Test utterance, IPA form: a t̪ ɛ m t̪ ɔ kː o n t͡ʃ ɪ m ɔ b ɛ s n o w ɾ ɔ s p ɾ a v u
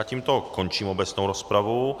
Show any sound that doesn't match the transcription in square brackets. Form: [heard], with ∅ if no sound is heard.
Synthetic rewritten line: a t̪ [i] m t̪ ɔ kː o n t͡ʃ [i] m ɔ b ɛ s n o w ɾ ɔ s p ɾ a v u